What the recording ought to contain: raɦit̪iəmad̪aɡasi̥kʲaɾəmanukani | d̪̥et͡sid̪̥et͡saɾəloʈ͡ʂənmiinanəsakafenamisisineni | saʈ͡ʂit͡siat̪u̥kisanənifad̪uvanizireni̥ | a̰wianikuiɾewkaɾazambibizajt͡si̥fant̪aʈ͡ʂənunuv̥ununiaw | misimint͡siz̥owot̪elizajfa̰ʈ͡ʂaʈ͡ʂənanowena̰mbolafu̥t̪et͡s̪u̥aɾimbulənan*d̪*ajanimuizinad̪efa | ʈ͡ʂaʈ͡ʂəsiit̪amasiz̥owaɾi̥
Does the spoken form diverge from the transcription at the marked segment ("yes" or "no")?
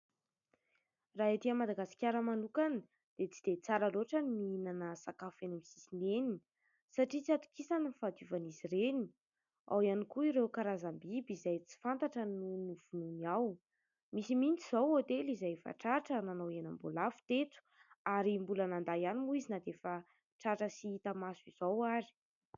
no